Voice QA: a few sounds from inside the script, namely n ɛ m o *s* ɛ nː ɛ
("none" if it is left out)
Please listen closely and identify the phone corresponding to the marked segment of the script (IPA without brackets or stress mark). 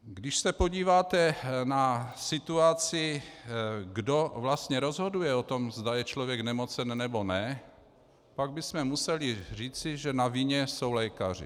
t͡s